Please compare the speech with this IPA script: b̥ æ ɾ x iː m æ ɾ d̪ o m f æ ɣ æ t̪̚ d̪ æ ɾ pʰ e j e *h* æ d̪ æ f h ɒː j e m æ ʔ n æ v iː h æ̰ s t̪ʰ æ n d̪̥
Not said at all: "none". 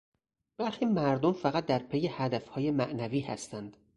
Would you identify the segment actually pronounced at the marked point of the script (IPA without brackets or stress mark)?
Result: h